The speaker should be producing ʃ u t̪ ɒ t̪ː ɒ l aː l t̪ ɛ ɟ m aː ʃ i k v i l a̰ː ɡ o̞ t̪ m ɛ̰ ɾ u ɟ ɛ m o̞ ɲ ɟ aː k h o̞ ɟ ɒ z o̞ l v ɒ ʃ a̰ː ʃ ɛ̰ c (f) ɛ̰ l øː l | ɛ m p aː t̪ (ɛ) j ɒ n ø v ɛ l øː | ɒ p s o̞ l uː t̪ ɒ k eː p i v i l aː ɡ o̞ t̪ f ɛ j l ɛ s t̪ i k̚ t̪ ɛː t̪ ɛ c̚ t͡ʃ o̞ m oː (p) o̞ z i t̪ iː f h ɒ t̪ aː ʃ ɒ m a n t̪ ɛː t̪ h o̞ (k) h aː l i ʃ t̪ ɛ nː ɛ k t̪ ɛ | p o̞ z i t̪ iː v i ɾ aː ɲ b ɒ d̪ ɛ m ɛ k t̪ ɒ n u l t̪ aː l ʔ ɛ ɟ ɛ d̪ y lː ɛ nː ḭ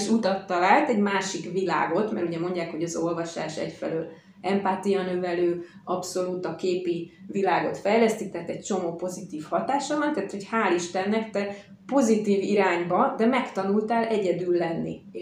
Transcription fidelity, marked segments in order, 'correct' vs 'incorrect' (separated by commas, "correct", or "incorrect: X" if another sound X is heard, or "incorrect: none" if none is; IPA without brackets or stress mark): correct, incorrect: i, correct, incorrect: c